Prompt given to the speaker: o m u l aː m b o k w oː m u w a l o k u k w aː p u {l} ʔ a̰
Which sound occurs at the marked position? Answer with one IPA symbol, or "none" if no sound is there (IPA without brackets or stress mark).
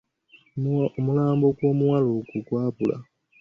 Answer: l